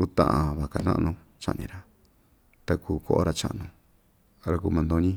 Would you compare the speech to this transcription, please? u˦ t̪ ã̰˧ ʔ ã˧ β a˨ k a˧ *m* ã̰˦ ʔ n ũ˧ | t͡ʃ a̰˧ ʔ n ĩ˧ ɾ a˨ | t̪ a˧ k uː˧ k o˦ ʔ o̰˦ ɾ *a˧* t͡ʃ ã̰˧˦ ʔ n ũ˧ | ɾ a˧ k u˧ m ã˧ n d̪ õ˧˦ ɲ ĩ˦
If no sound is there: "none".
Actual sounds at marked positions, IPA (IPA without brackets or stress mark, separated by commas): n, a˧